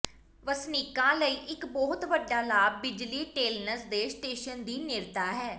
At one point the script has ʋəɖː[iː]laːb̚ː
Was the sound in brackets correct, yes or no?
no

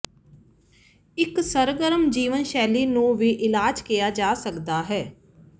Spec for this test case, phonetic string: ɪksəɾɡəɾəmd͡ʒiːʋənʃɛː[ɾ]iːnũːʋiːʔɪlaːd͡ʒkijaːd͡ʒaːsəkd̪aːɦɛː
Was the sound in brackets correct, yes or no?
no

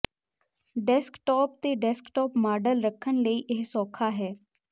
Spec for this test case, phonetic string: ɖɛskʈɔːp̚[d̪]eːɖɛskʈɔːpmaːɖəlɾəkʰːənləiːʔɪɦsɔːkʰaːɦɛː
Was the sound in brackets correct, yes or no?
no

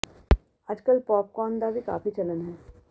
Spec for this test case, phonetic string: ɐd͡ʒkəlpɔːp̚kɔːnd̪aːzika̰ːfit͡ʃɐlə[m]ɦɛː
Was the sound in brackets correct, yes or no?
no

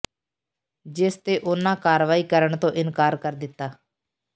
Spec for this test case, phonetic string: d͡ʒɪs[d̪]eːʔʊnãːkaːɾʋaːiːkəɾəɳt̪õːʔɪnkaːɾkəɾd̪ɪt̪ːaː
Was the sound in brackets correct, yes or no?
no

